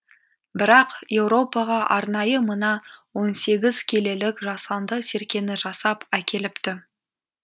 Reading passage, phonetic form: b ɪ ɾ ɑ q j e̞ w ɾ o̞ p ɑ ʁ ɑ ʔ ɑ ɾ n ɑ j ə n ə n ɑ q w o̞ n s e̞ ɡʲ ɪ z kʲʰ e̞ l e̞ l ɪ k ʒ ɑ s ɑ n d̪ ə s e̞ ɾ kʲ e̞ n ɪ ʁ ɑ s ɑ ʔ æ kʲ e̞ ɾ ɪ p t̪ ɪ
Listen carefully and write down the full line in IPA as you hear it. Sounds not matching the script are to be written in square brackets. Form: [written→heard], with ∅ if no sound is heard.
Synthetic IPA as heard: b ɪ ɾ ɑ q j e̞ w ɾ o̞ p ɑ ʁ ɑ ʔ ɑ ɾ n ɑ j ə [n→m] ə n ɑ [q→∅] w o̞ n s e̞ ɡʲ ɪ z kʲʰ e̞ l e̞ l ɪ k ʒ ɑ s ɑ n d̪ ə s e̞ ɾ kʲ e̞ n ɪ [ʁ→ʒ] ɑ s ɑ [ʔ→p] æ kʲ e̞ [ɾ→l] ɪ p t̪ ɪ